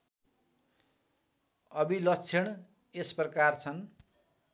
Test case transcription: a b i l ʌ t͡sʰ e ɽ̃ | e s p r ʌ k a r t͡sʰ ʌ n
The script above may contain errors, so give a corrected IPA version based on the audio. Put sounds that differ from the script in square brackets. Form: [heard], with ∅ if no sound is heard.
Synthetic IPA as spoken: [ʌ] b i l ʌ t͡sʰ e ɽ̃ | e s p r ʌ k a r t͡sʰ ʌ n